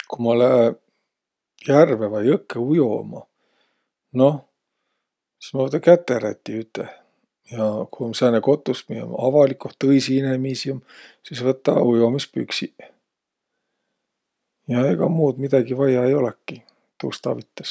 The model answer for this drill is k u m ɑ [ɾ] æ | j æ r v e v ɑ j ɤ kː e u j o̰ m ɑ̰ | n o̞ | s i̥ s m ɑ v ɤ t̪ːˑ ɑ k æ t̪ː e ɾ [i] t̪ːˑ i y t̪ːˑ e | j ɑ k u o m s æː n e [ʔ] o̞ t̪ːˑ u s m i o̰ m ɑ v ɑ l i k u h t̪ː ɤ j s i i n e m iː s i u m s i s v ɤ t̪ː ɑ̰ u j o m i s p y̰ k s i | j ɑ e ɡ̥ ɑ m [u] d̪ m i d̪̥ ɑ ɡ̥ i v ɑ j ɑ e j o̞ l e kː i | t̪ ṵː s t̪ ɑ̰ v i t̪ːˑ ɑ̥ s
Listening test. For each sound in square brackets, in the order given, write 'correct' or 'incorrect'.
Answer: incorrect: l, incorrect: æ, incorrect: k, incorrect: uː

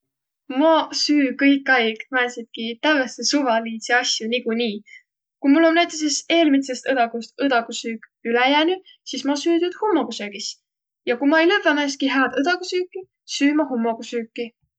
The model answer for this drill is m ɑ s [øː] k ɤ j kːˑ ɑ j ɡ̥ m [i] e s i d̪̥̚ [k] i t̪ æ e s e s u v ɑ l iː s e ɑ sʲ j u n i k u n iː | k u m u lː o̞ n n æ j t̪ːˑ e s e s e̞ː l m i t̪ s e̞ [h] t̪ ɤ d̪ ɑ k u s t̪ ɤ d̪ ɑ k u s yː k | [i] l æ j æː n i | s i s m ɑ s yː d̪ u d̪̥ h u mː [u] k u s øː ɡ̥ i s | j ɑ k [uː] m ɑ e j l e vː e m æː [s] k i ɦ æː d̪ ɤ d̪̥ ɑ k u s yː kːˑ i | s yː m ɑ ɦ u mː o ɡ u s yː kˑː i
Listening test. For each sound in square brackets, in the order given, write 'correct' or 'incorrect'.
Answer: incorrect: yː, incorrect: æ, correct, incorrect: s, incorrect: y, incorrect: o, incorrect: u, correct

